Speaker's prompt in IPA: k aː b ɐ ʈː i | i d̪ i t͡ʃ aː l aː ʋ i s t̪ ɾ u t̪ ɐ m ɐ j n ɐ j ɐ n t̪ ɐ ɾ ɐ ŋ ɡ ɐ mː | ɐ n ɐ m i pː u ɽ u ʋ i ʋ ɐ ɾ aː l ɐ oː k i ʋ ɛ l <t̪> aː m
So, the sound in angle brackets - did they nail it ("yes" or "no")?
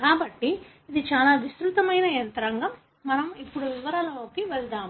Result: no